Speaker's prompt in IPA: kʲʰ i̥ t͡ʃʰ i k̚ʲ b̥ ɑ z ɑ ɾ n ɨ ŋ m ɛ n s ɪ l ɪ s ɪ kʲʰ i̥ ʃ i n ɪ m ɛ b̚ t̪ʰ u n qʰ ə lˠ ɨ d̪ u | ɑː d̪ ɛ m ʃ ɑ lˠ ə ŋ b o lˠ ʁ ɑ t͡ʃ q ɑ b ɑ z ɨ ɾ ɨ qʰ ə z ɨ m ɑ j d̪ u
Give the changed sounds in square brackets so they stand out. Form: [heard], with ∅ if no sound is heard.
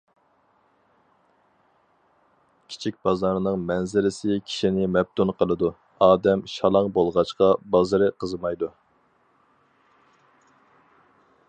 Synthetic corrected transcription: kʲʰ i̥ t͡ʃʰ i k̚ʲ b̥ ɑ z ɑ ɾ n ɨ ŋ m ɛ n [z] ɪ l ɪ s ɪ kʲʰ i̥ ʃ i n ɪ m ɛ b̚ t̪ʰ u n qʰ ə lˠ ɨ d̪ u | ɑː d̪ ɛ m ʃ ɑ lˠ [ɑ] ŋ b o lˠ ʁ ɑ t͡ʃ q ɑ b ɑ z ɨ ɾ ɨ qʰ ə z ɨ m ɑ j d̪ u